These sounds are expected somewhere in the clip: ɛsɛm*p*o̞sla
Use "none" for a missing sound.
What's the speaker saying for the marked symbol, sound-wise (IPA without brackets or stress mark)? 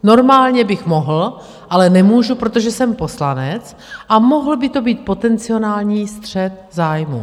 p